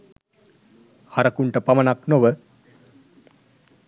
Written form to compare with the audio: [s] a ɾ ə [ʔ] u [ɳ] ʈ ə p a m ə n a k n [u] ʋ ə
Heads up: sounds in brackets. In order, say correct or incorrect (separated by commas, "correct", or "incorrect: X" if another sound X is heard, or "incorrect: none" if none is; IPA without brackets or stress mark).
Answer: incorrect: h, incorrect: k, correct, incorrect: o